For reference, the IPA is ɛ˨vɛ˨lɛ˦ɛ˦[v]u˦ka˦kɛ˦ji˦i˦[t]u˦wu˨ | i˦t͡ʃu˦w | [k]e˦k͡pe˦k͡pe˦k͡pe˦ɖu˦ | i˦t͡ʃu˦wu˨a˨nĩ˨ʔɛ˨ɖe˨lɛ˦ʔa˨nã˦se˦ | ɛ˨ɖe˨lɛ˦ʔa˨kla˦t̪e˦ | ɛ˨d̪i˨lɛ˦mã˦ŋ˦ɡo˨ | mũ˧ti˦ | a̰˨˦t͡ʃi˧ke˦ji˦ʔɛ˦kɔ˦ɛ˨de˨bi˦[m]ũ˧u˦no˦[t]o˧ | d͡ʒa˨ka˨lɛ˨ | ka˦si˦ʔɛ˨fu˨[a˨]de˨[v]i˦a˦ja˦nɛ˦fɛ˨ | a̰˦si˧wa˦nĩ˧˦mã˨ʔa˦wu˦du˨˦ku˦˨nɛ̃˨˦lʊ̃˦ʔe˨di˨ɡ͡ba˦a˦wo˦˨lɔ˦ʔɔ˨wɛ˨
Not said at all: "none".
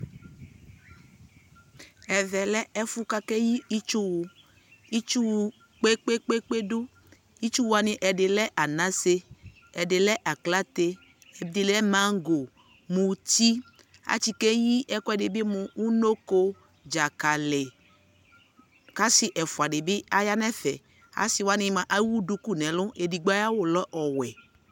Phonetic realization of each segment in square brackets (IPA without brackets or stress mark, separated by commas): f, t͡ʃ, k͡p, m, k, a˨, b